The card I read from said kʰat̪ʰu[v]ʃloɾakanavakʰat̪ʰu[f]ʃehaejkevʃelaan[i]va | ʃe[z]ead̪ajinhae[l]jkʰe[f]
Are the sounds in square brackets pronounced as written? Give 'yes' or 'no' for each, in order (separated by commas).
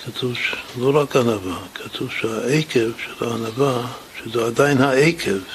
yes, no, no, yes, no, no